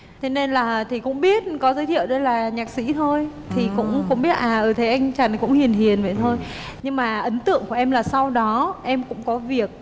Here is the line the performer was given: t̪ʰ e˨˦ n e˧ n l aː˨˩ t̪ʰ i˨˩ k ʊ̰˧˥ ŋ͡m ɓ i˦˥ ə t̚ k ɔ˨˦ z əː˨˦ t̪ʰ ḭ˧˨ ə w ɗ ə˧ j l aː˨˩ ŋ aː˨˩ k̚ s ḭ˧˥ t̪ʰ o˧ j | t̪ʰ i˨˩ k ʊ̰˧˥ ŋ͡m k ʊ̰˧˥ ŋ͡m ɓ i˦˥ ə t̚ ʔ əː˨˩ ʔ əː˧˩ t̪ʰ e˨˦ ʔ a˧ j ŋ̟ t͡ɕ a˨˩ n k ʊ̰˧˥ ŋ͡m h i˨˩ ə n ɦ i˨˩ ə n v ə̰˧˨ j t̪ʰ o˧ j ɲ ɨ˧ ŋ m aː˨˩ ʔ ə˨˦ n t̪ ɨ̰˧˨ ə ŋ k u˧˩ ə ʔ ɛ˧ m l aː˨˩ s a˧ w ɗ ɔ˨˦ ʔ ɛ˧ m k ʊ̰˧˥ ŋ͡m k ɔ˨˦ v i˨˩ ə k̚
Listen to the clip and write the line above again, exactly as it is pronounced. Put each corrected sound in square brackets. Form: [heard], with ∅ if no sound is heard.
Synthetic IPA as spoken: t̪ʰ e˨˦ n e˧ n l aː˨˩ t̪ʰ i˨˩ k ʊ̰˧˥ ŋ͡m ɓ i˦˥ ə t̚ k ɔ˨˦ z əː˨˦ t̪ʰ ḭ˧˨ ə w ɗ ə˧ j l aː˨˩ [ɲ] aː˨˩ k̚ s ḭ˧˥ t̪ʰ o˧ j | t̪ʰ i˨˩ k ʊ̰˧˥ ŋ͡m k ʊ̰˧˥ ŋ͡m ɓ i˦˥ ə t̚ ʔ [aː˨˩] ʔ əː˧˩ t̪ʰ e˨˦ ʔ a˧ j ŋ̟ t͡ɕ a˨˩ n k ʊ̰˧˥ ŋ͡m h i˨˩ ə n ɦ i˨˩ ə n v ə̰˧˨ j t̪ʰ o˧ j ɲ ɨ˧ ŋ m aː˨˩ ʔ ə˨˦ n t̪ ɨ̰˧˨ ə ŋ k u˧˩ ə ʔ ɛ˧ m l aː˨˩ s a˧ w ɗ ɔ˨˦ ʔ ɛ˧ m k ʊ̰˧˥ ŋ͡m k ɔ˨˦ v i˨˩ ə k̚